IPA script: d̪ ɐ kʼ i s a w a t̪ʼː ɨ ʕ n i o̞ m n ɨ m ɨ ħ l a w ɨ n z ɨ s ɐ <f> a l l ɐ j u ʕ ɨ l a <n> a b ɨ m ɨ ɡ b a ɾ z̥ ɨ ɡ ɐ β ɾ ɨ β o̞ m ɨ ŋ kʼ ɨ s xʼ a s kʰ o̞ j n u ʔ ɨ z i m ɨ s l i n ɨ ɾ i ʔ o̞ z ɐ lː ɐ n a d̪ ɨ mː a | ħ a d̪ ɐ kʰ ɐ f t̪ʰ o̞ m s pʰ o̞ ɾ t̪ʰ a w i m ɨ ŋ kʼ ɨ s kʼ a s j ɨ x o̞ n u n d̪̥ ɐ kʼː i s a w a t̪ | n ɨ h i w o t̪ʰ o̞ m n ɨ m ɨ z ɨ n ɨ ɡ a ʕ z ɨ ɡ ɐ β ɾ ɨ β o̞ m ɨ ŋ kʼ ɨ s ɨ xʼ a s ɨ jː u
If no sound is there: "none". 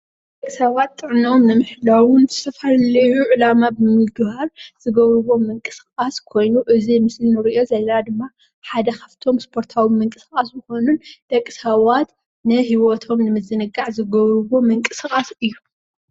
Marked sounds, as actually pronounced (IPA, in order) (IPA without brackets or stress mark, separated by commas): f, m